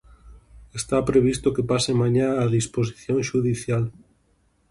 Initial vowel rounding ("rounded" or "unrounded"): unrounded